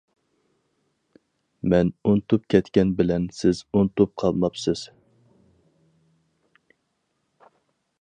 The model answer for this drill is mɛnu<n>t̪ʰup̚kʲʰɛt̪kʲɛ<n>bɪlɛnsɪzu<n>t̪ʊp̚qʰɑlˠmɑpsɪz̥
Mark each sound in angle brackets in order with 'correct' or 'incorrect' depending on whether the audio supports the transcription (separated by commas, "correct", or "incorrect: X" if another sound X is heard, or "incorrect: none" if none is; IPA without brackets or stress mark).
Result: correct, correct, correct